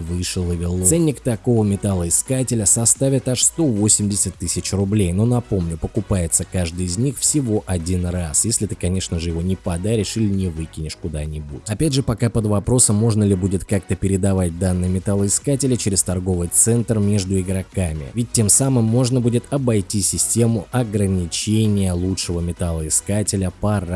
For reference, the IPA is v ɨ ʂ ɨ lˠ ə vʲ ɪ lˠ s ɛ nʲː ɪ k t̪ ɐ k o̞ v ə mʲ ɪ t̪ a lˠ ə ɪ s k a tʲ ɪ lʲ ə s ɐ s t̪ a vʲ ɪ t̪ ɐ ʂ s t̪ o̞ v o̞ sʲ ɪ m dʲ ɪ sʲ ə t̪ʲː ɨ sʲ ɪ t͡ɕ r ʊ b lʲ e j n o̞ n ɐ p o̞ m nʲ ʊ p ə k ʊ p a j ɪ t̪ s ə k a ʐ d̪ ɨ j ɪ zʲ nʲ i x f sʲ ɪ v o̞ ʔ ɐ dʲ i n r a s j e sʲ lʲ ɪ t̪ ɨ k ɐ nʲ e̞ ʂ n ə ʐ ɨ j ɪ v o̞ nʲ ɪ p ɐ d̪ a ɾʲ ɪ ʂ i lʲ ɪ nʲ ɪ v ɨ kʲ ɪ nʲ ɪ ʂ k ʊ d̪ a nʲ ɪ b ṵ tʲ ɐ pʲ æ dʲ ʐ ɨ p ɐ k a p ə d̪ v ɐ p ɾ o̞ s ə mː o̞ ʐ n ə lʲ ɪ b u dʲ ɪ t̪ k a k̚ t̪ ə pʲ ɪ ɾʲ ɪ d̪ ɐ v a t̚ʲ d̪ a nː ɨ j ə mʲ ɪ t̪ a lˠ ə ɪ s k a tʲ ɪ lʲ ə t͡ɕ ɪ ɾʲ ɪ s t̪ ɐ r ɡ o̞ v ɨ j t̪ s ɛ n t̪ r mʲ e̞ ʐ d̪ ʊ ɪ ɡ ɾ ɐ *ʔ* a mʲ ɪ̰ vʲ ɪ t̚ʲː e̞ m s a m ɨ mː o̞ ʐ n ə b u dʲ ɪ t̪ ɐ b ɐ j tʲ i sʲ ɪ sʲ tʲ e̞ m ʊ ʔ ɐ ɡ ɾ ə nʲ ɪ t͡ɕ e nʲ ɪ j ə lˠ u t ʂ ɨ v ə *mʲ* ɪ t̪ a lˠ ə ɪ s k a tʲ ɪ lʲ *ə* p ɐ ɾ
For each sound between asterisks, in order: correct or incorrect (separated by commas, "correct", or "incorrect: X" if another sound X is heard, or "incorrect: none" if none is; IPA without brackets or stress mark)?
incorrect: k, correct, correct